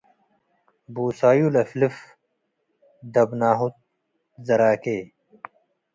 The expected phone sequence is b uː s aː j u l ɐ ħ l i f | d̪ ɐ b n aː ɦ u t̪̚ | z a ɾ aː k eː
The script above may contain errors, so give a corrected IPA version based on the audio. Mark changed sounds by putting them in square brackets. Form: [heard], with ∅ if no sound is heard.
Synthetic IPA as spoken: b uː s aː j u l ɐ [f] l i f | d̪ ɐ b n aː ɦ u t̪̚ | z [ɐ] ɾ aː k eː